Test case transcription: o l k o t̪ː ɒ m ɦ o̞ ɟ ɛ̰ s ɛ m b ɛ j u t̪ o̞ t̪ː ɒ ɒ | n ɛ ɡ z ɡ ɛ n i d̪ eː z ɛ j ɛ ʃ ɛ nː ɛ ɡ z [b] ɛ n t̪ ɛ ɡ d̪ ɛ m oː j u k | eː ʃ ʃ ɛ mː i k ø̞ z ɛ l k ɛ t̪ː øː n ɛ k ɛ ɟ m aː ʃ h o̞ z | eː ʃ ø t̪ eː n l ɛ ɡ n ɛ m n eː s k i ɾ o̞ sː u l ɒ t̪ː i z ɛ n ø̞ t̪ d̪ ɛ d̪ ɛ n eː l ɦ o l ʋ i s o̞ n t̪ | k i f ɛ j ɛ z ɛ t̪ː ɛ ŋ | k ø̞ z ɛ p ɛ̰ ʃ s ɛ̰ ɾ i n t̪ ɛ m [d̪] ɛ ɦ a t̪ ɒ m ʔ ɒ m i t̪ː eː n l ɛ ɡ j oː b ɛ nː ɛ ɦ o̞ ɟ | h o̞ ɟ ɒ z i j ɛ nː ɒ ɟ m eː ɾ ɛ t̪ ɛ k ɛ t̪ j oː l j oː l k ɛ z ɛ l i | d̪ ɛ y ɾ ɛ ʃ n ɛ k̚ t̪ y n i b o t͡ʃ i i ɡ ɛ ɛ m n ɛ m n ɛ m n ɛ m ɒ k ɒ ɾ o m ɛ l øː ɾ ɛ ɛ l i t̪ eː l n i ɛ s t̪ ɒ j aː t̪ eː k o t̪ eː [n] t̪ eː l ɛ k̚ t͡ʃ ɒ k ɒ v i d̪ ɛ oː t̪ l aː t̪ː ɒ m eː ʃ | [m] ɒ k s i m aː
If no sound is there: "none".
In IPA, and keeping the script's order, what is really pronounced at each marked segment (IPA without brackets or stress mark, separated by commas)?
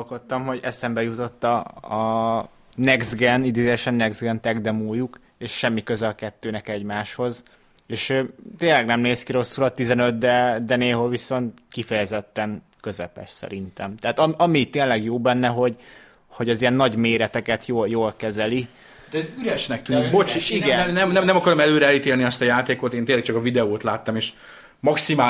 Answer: ɡ, t̪, n, m